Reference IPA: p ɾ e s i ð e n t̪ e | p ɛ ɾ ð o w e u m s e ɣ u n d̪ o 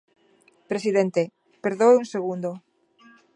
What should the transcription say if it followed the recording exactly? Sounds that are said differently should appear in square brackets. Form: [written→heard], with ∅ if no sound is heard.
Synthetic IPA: p ɾ e s i ð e n t̪ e | p [ɛ→e] ɾ ð o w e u [m→ŋ] s e ɣ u n d̪ o